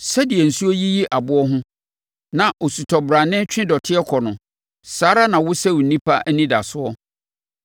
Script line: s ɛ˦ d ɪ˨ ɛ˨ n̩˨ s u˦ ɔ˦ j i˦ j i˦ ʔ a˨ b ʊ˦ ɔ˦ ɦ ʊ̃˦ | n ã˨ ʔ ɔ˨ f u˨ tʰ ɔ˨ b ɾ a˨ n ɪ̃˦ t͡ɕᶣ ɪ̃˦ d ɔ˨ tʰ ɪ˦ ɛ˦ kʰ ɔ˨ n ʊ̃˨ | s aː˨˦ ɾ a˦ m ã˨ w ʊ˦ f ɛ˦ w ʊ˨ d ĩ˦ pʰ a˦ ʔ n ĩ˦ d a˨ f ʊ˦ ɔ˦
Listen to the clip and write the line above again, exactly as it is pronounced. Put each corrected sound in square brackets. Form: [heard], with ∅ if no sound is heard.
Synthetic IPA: s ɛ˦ d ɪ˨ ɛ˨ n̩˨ s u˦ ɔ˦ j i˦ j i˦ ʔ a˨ b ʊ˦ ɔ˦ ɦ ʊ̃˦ | n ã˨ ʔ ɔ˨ [s] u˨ tʰ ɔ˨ b ɾ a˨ n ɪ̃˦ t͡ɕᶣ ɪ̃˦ d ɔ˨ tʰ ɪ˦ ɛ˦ kʰ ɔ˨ n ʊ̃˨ | s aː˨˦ ɾ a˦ [n] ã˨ w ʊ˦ [s] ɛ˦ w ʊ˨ [n] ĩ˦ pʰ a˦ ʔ n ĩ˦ d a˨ [s] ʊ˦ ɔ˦